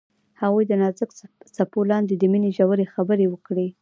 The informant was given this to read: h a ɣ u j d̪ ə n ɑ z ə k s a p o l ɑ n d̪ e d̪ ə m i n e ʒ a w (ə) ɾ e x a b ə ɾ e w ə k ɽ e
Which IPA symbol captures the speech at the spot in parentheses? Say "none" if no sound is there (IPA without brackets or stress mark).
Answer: ə